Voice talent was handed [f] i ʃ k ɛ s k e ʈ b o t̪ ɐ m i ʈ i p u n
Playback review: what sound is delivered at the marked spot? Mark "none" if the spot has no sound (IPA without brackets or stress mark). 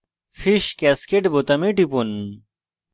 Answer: f